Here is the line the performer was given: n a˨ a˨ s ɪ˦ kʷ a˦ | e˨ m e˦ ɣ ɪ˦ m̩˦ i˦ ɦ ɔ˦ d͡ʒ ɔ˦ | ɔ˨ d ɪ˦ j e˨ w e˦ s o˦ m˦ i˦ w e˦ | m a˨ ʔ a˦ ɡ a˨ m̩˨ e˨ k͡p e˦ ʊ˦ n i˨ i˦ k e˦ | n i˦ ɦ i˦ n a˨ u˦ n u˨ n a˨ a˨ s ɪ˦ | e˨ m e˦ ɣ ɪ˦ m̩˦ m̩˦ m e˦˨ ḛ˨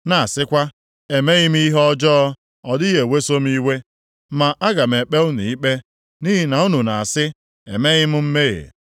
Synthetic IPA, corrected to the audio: n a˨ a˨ s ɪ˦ kʷ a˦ | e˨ m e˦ ɣ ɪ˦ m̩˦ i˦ ɦ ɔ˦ d͡ʒ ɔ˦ | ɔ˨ d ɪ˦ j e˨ w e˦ s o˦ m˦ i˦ w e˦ | m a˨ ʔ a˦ ɡ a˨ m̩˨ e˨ k͡p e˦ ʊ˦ n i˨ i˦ k͡p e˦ | n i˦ ɦ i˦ n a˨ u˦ n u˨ n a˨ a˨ s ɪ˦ | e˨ m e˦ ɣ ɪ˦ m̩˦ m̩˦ m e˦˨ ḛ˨